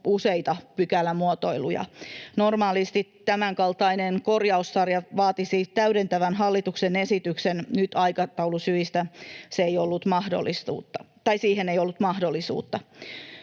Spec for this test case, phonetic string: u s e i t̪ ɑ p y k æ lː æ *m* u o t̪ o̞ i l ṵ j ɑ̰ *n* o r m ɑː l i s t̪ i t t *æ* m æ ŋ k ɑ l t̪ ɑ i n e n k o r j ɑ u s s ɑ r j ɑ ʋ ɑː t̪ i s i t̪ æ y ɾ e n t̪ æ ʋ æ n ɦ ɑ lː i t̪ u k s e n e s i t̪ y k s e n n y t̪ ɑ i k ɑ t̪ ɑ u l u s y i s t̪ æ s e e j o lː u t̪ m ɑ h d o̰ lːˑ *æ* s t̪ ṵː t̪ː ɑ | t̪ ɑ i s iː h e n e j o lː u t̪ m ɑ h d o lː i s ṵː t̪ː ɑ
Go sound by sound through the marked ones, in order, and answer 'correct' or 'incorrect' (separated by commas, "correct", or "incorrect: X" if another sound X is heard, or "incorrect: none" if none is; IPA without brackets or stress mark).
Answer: correct, correct, correct, incorrect: i